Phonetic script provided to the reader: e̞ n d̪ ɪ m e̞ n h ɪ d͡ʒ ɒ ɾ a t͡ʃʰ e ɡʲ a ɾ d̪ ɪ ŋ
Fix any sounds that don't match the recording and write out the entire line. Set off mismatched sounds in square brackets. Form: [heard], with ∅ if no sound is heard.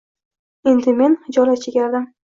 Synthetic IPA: e̞ n d̪ ɪ m e̞ n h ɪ d͡ʒ ɒ [l] a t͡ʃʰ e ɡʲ a ɾ d̪ ɪ [m]

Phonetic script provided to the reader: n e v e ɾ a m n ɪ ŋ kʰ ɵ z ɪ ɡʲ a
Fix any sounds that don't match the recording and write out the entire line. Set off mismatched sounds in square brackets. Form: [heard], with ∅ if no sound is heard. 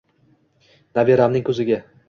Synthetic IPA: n [a] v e ɾ a m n ɪ ŋ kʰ ɵ z ɪ ɡʲ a

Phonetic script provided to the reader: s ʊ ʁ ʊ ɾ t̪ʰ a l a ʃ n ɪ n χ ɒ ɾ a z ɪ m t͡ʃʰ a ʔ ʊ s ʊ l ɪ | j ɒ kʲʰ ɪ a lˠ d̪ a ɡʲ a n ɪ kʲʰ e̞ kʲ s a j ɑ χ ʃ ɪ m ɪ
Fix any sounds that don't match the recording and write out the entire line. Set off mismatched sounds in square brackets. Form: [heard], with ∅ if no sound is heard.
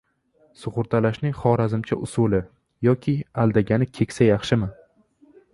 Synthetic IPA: s ʊ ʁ ʊ ɾ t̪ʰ a l a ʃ n ɪ [ŋ] χ ɒ ɾ a z ɪ m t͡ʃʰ a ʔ ʊ s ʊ l ɪ | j ɒ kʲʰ ɪ a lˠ d̪ a ɡʲ a n ɪ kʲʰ e̞ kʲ s a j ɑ χ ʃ ɪ m ɪ

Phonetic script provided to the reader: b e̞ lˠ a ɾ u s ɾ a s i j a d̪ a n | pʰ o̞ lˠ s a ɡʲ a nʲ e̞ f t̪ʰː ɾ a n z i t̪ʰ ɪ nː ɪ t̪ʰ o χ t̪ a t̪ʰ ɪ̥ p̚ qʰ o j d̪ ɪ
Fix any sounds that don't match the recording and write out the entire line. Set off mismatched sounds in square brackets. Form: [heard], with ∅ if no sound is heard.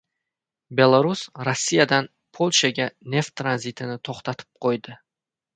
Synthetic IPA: b e̞ lˠ a ɾ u s ɾ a [sː] i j a d̪ a n | pʰ o̞ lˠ [ʃ] a ɡʲ a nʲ e̞ f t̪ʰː ɾ a n z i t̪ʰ ɪ [n] ɪ t̪ʰ o χ t̪ a t̪ʰ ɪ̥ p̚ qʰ o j d̪ ɪ

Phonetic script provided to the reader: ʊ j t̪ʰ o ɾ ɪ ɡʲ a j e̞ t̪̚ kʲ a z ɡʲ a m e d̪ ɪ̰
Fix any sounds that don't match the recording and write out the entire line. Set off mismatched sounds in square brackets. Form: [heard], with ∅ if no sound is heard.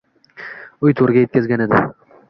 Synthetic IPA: ʊ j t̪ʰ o ɾ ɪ ɡʲ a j e̞ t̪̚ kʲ a z ɡʲ a [n] e d̪ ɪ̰

